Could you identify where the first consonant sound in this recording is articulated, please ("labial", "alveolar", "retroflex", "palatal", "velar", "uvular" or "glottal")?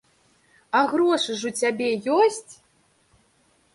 velar